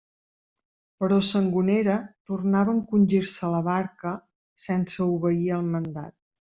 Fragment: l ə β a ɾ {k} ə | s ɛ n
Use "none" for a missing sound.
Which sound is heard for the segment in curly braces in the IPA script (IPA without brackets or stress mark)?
k